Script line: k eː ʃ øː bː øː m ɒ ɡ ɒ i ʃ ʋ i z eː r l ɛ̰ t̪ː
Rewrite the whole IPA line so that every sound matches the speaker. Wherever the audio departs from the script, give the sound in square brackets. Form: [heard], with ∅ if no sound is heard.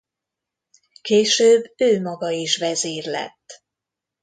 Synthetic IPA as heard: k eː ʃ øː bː øː m ɒ ɡ ɒ i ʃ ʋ [ɛ] z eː r l ɛ̰ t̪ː